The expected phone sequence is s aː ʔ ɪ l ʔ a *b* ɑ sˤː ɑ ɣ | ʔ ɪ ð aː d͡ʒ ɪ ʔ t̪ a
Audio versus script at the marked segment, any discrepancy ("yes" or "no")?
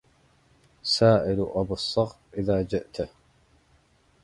no